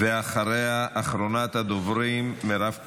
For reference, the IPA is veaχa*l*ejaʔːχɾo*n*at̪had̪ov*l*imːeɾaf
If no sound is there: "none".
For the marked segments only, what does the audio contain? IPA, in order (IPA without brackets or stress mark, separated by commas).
ɾ, n, ɾ